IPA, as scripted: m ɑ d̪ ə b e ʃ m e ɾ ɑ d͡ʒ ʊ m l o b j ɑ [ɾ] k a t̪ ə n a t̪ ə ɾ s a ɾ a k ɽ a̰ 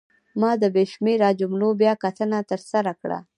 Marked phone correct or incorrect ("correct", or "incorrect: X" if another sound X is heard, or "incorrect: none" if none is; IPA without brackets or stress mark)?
incorrect: none